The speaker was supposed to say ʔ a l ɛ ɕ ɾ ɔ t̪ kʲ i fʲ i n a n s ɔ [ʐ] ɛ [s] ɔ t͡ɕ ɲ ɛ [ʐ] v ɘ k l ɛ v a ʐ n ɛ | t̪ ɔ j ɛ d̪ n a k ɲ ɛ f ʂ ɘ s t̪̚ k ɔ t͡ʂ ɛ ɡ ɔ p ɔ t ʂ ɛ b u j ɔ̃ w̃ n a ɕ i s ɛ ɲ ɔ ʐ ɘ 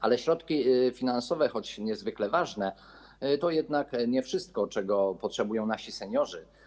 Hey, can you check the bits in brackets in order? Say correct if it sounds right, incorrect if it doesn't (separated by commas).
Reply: incorrect, incorrect, incorrect